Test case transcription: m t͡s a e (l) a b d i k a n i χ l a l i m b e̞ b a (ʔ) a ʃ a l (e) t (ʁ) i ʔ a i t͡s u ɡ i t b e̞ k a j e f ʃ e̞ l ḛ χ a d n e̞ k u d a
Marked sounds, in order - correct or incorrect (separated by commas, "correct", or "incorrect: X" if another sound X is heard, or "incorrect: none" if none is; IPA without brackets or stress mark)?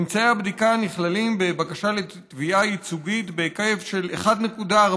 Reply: incorrect: none, incorrect: k, correct, incorrect: v